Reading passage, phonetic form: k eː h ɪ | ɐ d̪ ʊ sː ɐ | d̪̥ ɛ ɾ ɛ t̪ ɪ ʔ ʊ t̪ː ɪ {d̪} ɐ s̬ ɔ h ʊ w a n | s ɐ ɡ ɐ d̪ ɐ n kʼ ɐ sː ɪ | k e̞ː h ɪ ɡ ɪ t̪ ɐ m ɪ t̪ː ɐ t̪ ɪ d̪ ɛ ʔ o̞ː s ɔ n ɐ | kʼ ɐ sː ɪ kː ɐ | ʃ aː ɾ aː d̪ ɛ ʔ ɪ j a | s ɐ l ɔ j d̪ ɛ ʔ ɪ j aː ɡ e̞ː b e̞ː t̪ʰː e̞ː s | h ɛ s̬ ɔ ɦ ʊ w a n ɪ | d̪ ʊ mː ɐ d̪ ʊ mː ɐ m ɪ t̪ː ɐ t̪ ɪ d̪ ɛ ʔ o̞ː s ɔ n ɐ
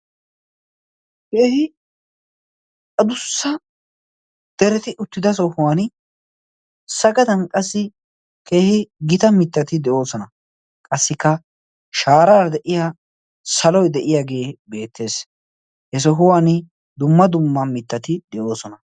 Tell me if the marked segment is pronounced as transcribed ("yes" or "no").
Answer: yes